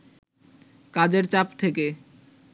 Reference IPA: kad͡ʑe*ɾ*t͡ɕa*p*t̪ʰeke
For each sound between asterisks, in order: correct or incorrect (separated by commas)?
correct, correct